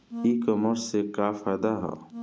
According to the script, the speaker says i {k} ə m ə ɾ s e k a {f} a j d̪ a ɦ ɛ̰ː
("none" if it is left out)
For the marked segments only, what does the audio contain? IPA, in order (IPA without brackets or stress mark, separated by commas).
k, f